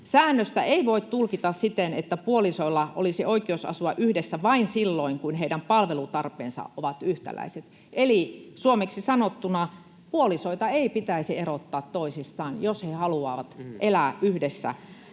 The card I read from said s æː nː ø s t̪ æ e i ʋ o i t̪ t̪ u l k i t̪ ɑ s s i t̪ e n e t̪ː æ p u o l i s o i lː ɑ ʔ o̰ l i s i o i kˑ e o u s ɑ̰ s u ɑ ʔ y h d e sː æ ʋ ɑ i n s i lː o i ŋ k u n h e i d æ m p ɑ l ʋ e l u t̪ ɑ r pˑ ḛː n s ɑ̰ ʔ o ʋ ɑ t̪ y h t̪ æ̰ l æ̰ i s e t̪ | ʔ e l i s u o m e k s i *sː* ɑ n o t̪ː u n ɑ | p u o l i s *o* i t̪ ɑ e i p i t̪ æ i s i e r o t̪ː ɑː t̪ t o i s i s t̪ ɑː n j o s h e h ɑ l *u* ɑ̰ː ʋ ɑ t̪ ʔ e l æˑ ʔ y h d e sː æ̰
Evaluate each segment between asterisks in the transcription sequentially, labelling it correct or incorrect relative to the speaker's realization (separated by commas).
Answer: incorrect, correct, correct